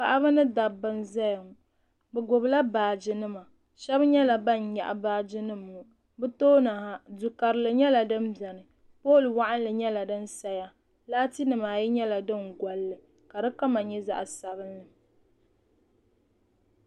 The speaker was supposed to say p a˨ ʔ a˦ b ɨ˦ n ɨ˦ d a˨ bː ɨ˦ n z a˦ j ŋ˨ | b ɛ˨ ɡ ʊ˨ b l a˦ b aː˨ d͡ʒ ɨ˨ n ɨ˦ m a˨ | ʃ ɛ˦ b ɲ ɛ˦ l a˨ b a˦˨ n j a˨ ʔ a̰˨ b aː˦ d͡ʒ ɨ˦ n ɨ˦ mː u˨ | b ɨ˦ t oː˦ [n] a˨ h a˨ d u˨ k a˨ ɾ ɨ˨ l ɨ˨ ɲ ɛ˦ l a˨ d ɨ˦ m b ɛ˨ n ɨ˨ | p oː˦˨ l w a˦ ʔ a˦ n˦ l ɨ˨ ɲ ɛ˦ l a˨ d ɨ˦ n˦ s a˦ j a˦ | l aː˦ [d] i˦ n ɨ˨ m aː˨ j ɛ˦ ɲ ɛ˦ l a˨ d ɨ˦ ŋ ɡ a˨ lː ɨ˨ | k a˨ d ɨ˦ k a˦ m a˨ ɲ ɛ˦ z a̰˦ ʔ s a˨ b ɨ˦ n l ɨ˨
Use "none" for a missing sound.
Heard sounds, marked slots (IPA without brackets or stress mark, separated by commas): n, t